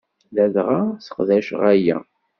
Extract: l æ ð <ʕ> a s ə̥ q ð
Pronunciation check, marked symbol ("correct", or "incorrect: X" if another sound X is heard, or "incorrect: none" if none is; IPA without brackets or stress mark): incorrect: ʁ